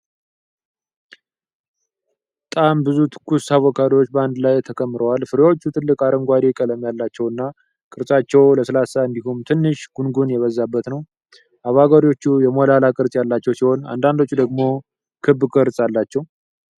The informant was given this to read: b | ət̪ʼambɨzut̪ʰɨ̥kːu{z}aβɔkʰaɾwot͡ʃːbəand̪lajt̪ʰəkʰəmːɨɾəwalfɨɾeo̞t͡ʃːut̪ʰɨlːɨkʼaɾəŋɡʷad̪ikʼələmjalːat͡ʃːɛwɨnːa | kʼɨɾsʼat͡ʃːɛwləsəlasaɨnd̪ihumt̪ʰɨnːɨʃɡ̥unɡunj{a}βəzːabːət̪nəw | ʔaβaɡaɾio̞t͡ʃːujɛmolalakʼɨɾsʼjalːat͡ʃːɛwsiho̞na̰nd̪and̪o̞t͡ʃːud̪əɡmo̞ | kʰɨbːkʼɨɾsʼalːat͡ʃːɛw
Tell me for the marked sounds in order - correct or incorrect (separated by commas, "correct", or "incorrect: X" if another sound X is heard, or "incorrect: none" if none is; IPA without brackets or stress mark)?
incorrect: s, incorrect: ɛ